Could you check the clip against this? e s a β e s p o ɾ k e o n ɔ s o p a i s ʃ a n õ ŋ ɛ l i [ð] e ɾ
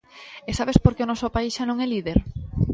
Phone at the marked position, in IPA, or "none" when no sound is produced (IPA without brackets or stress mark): ð